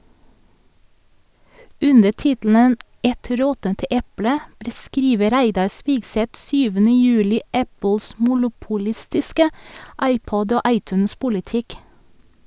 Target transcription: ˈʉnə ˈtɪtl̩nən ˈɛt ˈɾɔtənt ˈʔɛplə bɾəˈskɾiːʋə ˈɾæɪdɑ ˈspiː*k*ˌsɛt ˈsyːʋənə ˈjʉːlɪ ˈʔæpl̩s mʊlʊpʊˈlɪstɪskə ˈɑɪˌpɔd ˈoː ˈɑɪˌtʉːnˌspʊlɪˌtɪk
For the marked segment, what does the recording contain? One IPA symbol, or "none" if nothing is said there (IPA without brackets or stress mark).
ɡ